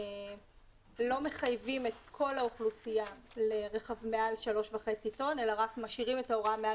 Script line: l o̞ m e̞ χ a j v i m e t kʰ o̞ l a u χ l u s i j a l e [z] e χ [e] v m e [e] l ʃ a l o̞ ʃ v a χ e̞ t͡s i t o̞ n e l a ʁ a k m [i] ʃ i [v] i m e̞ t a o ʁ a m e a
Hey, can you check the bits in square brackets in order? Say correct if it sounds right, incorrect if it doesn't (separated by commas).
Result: incorrect, incorrect, incorrect, incorrect, incorrect